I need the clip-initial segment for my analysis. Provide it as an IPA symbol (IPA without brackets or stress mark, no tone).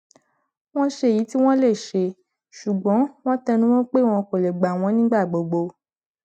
w̃